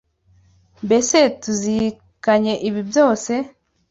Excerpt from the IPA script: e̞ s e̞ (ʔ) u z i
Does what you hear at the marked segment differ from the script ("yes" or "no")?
yes